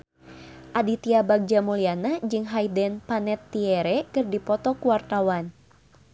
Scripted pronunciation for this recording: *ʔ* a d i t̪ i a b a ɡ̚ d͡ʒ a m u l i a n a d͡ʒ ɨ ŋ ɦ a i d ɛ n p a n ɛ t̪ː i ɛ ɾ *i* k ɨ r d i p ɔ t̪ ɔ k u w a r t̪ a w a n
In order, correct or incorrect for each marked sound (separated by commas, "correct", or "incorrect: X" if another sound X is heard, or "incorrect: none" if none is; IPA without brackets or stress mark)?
correct, incorrect: ɛ